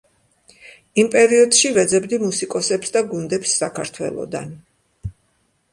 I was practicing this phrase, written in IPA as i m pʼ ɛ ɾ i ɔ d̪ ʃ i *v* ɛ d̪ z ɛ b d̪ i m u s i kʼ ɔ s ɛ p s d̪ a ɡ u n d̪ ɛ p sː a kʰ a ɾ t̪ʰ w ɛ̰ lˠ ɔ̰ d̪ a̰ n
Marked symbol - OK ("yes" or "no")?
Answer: yes